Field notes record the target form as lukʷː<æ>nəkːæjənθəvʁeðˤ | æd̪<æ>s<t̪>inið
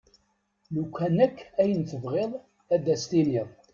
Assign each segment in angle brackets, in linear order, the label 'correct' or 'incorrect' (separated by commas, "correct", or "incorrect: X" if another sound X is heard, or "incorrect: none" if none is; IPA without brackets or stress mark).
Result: correct, correct, correct